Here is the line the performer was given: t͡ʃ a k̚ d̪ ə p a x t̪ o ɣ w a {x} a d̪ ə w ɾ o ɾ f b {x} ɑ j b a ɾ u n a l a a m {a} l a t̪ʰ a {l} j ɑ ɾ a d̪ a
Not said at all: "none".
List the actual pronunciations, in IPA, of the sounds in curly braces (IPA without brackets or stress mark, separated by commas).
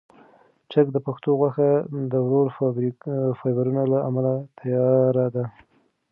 x, f, a, none